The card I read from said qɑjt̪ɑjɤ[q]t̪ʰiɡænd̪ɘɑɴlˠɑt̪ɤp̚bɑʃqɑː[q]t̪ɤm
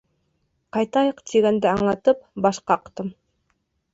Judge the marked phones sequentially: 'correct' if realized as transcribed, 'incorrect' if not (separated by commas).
correct, correct